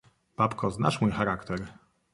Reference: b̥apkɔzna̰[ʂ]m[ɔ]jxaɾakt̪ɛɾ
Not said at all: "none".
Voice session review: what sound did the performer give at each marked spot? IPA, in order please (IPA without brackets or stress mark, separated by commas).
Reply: ʂ, u